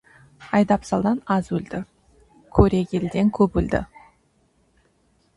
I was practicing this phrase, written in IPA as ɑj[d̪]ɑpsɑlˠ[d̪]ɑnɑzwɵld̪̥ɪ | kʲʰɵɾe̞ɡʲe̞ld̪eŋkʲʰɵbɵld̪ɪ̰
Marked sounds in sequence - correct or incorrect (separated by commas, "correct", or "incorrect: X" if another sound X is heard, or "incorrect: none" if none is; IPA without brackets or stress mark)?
correct, correct